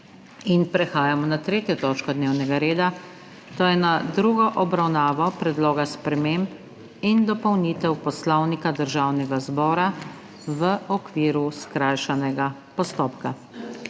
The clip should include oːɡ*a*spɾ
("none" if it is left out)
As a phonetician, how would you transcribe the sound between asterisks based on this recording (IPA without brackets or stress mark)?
a